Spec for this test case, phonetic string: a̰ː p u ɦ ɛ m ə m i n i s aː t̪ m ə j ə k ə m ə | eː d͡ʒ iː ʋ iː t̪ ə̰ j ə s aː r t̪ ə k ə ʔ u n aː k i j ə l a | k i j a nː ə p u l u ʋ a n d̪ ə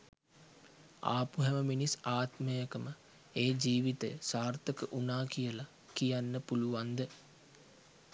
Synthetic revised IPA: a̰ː p u ɦ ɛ m ə m i n i s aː t̪ m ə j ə k ə m ə | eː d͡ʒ iː ʋ i t̪ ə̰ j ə s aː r t̪ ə k ə ʔ u n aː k i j ə l a | k i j a nː ə p u l u ʋ a n d̪ ə

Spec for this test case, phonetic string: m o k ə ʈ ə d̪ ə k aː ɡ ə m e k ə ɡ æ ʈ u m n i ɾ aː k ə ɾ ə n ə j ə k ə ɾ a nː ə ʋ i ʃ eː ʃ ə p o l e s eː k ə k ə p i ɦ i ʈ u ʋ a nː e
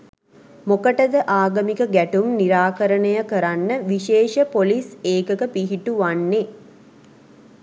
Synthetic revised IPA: m o k ə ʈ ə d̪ ə ʔ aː ɡ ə m i k ə ɡ æ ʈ u m n i ɾ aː k ə ɾ ə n ə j ə k ə ɾ a nː ə ʋ i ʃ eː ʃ ə p o l i s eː k ə k ə p i ɦ i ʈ u ʋ a nː e

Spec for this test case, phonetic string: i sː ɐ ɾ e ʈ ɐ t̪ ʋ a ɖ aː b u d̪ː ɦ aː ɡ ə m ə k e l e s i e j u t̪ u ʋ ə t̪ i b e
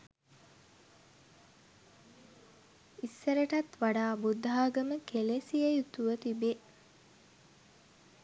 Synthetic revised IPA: i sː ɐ ɾ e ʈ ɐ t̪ ʋ a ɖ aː b u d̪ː ɦ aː ɡ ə m ə k e l e s i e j u t̪ u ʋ ə t̪ i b e

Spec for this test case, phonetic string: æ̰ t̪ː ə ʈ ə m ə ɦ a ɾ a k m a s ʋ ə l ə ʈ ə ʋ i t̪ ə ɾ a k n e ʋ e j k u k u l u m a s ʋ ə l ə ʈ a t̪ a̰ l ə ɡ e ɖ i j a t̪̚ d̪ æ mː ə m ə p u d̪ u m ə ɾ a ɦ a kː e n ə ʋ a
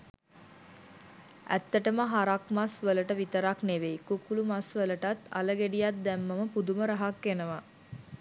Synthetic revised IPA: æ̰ t̪ː ə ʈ ə m ə ɦ a ɾ a k m a s ʋ ə l ə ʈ ə ʋ i t̪ ə ɾ a k n e ʋ e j k u k u l u m a s ʋ ə l ə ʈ a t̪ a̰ l ə ɡ e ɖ i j a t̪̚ d̪ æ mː ə m ə p u d̪ u m ə ɾ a ɦ a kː e n ə ʋ a

